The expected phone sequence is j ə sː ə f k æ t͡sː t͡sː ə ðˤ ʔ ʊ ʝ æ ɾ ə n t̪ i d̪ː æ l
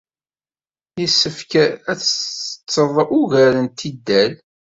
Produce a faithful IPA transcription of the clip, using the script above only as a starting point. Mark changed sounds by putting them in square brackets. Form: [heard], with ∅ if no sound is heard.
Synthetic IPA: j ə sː ə f k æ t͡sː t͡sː ə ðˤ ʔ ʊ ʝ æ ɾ ə n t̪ i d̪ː æ l

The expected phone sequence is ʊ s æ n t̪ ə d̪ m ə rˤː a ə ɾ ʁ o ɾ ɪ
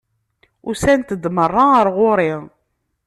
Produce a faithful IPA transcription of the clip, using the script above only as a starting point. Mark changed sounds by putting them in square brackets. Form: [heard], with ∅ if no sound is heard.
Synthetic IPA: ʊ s æ n t̪ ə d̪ m ə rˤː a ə ɾ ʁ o ɾ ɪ

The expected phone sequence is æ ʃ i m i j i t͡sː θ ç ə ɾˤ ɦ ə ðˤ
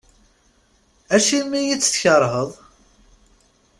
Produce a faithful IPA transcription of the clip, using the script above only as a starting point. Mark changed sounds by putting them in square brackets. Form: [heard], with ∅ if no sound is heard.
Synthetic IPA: æ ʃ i m i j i t͡sː θ ç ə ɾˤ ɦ ə ðˤ

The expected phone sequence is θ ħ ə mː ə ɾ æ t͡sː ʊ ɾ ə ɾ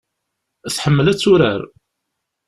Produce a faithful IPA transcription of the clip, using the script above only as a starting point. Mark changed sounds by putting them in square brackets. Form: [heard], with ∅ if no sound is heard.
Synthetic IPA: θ ħ ə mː ə [l] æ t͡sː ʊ ɾ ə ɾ

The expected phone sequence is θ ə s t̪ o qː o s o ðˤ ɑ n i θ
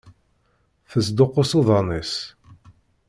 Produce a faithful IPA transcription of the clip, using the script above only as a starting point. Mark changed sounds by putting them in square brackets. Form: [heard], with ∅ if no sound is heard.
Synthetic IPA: θ ə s [d̪] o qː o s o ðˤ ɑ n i [s]

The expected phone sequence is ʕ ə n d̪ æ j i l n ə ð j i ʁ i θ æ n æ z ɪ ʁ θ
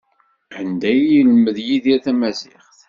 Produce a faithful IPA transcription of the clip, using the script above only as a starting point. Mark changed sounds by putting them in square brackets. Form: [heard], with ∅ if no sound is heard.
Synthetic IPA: ʕ ə n d̪ æ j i l [m] ə ð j i [ð] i θ æ [m] æ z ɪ [χ] θ

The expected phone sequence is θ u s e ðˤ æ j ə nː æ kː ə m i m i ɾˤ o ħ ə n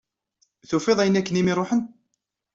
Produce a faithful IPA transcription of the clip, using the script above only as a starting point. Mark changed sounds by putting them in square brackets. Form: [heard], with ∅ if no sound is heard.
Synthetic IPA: θ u [f] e ðˤ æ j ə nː æ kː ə [n] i m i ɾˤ o ħ ə n

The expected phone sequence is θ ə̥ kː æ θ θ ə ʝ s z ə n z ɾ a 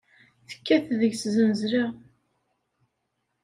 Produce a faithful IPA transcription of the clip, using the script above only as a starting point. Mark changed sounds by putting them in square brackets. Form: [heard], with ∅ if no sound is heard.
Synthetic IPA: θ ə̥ kː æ θ [ð] ə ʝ s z ə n z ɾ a

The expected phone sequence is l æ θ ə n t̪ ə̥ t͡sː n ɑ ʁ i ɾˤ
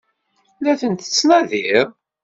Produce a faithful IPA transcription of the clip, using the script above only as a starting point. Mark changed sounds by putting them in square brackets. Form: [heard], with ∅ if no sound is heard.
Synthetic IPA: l æ θ ə n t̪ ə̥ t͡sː n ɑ [ð] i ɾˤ

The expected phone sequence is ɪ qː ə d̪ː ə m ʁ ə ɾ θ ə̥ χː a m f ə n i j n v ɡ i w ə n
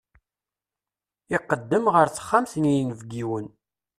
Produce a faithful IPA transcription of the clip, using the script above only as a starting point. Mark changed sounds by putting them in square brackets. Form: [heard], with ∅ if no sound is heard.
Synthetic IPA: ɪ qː ə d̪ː ə m ʁ ə ɾ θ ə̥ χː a m [θ] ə n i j n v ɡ i w ə n

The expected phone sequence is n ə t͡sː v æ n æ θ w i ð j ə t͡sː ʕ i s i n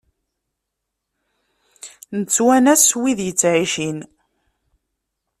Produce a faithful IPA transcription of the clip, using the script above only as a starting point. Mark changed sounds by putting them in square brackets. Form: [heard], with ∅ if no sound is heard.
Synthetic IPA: n ə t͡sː [w] æ n æ [s] w i ð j ə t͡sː ʕ i [ʃ] i n

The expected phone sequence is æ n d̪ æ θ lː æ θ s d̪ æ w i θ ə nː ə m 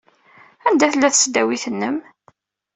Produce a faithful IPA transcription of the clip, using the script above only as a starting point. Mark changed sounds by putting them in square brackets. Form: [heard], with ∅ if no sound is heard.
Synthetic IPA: æ n d̪ æ θ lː æ θ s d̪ æ w i θ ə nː ə m

